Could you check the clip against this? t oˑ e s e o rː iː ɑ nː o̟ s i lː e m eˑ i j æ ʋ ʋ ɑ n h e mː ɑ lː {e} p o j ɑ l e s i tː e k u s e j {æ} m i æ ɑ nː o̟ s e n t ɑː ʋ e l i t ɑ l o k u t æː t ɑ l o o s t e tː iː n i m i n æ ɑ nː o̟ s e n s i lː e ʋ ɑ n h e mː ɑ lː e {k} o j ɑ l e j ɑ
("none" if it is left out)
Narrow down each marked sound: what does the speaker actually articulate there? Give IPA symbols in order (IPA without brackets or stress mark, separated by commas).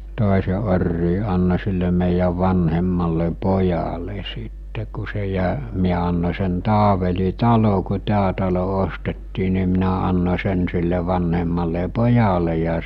e, æ, p